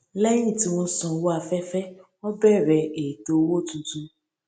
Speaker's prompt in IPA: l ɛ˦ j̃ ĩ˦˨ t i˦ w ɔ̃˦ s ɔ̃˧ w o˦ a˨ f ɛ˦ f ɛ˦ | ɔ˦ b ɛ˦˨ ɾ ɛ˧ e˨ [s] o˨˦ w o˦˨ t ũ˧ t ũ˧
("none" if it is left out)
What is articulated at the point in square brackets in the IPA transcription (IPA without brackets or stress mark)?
t